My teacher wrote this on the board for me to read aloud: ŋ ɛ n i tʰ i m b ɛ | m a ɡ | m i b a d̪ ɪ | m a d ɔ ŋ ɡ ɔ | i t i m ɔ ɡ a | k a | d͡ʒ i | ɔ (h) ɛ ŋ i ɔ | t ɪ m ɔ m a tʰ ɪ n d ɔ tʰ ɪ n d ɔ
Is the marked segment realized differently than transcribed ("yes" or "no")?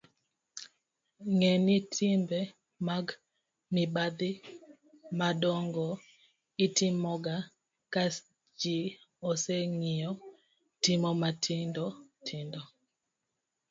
yes